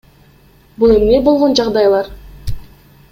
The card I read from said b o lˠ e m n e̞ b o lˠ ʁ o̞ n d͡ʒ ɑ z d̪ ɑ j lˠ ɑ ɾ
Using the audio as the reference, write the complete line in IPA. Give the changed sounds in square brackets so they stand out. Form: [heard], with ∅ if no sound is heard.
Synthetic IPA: b [u] lˠ e m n e̞ b o lˠ ʁ o̞ n d͡ʒ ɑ [ʁ] d̪ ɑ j lˠ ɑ ɾ

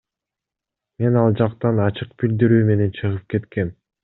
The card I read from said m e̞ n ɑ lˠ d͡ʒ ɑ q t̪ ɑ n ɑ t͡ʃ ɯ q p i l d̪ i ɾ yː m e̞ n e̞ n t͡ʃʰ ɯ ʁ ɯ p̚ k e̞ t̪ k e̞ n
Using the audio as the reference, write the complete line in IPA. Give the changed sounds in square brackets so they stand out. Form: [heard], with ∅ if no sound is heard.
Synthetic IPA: m e̞ n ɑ lˠ d͡ʒ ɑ q t̪ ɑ n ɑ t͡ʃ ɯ q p i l d̪ i ɾ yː m e̞ n e̞ n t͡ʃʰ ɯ ʁ ɯ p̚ k e̞ t̪ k e̞ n

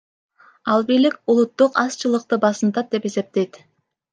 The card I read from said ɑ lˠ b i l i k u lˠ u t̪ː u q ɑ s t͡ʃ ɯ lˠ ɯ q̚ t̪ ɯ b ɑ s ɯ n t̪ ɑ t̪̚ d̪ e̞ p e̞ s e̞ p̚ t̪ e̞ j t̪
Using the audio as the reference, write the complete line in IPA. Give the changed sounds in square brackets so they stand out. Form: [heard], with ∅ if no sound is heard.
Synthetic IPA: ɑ lˠ b i l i k u lˠ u t̪ː u q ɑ s t͡ʃ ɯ lˠ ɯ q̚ t̪ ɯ b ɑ s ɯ n t̪ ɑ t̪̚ d̪ e̞ p e̞ s e̞ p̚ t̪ e̞ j t̪

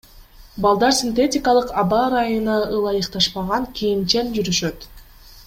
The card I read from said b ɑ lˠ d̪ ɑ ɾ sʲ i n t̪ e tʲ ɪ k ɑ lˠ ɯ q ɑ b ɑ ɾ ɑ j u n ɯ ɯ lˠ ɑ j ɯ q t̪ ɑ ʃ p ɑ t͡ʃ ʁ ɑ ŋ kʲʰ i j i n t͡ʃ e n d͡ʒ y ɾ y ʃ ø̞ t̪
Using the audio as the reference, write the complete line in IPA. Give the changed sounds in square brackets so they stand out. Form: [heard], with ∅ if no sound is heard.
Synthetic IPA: b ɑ lˠ d̪ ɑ ɾ sʲ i n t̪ e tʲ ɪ k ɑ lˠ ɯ q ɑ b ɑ ɾ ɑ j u n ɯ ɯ lˠ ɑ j ɯ q t̪ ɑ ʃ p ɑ [∅] ʁ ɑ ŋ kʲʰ i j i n t͡ʃ e n d͡ʒ y ɾ y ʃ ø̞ t̪

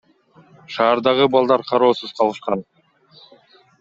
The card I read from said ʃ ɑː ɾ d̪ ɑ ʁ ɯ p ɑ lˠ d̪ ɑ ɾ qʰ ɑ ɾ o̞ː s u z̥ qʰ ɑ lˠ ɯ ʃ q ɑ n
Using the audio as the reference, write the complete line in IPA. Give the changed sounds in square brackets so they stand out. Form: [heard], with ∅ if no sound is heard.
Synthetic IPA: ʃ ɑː ɾ d̪ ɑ ʁ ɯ [b] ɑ lˠ d̪ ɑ ɾ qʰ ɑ ɾ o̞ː s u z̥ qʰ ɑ lˠ ɯ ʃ q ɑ n

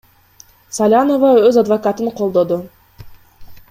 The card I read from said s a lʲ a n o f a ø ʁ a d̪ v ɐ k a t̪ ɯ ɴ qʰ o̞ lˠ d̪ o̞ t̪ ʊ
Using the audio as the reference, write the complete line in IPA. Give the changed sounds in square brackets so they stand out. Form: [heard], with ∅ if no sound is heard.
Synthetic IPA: s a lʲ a n o [v] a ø [z] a d̪ v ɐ k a t̪ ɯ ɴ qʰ o̞ lˠ d̪ o̞ [d̪] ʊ

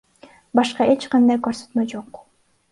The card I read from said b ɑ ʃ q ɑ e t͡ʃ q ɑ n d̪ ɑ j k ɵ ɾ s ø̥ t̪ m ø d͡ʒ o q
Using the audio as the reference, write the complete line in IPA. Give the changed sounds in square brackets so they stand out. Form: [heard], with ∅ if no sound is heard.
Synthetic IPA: b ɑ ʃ q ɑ e t͡ʃ q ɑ n d̪ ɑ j k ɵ ɾ s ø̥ t̪ m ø d͡ʒ o q

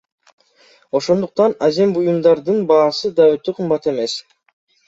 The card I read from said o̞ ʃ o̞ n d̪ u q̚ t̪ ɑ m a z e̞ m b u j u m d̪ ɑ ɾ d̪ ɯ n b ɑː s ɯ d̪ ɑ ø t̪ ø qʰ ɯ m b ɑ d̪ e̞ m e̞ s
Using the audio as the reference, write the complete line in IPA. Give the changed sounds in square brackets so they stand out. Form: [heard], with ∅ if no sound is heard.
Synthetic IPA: o̞ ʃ o̞ n d̪ u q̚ t̪ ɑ [n] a z e̞ m b u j u m d̪ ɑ ɾ d̪ ɯ n b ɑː s ɯ d̪ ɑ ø t̪ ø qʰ ɯ m b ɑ [t̪] e̞ m e̞ s

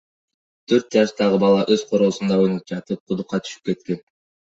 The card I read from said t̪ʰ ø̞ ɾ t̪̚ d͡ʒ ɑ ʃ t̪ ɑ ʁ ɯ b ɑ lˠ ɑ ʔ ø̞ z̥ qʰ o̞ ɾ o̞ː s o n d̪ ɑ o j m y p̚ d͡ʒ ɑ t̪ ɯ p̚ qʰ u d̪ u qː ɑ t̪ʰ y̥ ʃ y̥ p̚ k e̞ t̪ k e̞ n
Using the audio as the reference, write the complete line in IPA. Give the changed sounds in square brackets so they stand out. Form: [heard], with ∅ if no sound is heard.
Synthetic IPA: t̪ʰ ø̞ ɾ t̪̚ d͡ʒ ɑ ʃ t̪ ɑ ʁ ɯ b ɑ lˠ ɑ ʔ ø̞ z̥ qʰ o̞ ɾ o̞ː s [u] n d̪ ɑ o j [n] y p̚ d͡ʒ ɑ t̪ ɯ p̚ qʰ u d̪ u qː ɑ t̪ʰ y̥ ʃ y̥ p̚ k e̞ t̪ k e̞ n

